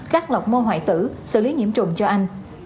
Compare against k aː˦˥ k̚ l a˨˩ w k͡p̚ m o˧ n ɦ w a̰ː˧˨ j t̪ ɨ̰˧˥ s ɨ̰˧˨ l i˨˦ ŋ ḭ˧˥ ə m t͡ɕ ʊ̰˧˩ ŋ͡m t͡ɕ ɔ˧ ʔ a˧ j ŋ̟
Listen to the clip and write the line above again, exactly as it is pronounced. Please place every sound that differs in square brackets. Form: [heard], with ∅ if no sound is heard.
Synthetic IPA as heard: k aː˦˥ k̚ l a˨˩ w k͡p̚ m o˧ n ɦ w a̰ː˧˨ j t̪ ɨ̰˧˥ s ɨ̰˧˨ l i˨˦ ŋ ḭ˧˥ ə m t͡ɕ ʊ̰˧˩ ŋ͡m t͡ɕ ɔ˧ ʔ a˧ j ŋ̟